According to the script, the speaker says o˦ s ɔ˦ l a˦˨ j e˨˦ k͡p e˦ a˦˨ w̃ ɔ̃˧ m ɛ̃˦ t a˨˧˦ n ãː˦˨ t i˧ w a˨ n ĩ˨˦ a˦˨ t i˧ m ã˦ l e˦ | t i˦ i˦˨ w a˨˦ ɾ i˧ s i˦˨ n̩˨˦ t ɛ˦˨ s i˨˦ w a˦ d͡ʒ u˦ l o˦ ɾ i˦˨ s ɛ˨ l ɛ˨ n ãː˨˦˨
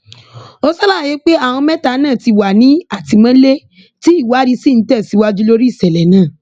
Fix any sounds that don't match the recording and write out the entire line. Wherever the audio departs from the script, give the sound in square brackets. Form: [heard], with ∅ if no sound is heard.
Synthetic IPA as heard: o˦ s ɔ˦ l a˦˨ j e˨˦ k͡p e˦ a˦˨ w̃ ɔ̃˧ m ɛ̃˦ t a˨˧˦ n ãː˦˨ t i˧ w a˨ n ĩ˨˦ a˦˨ t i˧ m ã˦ l e˦ | t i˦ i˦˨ w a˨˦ ɾ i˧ s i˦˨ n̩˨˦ t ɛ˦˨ s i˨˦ w a˦ d͡ʒ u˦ l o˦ ɾ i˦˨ s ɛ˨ l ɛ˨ n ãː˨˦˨